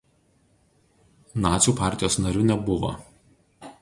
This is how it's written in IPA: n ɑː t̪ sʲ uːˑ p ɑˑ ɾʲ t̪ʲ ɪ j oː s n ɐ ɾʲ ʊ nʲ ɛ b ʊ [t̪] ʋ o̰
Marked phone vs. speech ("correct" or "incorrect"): incorrect